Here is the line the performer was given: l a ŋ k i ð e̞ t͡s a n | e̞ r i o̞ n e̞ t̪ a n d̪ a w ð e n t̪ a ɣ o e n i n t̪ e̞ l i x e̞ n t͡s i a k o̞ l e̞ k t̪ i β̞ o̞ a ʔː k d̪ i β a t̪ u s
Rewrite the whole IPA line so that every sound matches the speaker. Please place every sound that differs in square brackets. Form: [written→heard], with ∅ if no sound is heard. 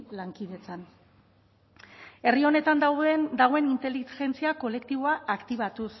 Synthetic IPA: l a ŋ k i ð e̞ t͡s a n | e̞ r i o̞ n e̞ t̪ a n d̪ a w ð e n [t̪→d̪] a ɣ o e n i n t̪ e̞ l i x e̞ n t͡s i a k o̞ l e̞ k t̪ i β̞ o̞ a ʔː k [d̪→t̪] i β a t̪ u s